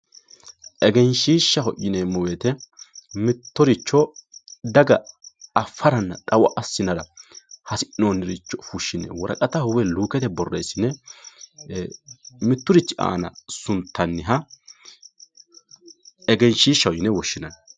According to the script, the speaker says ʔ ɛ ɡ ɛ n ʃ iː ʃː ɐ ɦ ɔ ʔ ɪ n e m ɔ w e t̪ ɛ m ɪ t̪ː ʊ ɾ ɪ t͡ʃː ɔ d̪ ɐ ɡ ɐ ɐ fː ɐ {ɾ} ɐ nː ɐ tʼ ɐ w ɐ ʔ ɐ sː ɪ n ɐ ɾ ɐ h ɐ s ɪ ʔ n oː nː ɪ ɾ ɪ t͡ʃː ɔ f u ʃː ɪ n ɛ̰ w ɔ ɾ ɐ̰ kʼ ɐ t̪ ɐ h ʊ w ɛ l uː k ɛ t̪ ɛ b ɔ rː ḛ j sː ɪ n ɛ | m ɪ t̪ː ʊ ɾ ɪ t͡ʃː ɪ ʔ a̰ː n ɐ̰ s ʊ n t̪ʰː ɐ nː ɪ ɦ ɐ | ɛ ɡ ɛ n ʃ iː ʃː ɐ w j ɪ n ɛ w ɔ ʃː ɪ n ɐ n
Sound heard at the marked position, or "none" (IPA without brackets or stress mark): ɾ